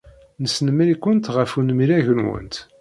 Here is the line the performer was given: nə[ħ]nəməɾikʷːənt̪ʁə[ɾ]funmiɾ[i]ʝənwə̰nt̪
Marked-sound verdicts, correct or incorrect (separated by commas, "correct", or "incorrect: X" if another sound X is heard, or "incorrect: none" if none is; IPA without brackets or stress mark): incorrect: s, incorrect: none, incorrect: æ